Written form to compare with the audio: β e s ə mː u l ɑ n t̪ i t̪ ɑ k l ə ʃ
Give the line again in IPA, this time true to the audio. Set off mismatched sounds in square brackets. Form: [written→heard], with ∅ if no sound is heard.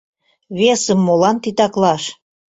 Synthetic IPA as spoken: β e s ə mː [u→o] l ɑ n t̪ i t̪ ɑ k l [ə→ɑ] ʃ